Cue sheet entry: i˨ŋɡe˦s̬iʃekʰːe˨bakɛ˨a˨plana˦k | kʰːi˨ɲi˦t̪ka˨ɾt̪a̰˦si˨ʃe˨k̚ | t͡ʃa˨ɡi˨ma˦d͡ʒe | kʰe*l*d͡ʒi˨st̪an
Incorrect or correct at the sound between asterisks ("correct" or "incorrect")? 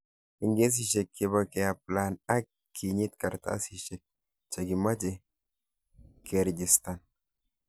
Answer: incorrect